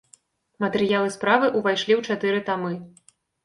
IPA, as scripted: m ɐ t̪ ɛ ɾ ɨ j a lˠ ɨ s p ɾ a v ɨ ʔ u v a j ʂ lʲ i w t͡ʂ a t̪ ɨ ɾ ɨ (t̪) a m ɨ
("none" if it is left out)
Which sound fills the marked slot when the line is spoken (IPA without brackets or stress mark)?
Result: t̪